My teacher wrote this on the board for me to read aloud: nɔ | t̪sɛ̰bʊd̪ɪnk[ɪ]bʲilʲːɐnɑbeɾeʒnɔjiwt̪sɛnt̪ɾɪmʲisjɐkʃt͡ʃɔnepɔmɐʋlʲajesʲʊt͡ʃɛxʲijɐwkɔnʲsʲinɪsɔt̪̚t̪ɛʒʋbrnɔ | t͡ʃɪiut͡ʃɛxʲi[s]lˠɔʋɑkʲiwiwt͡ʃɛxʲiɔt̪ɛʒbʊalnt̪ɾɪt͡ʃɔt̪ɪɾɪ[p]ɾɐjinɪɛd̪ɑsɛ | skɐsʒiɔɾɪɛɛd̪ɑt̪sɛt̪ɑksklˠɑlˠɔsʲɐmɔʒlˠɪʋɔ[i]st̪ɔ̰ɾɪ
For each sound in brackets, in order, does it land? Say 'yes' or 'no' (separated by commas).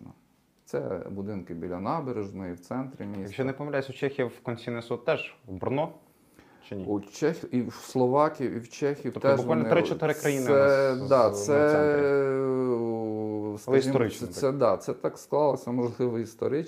yes, yes, no, yes